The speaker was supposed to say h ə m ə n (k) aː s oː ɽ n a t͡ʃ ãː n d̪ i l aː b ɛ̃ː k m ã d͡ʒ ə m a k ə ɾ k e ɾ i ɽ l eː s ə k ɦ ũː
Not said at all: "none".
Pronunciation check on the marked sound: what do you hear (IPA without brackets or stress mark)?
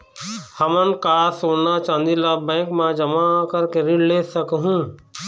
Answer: k